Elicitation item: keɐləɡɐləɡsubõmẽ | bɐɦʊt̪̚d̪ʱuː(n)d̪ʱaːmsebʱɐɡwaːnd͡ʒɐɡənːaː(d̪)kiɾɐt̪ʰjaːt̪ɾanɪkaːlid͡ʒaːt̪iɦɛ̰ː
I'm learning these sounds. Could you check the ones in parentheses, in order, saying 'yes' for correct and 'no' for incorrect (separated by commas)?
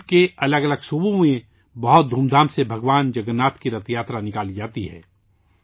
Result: no, no